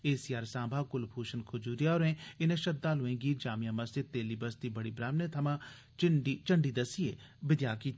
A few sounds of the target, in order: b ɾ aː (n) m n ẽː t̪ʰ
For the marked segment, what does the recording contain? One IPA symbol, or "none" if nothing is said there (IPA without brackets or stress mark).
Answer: none